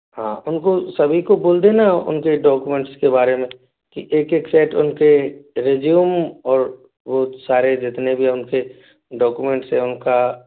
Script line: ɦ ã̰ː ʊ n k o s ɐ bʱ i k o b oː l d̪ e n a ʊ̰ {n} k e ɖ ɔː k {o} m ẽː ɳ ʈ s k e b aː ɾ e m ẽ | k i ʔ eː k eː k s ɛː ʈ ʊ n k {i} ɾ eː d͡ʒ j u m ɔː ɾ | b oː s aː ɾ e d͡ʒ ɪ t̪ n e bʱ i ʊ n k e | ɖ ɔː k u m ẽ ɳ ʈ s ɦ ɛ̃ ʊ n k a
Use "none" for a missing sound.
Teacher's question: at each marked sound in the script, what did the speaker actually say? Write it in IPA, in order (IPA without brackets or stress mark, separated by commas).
n, u, e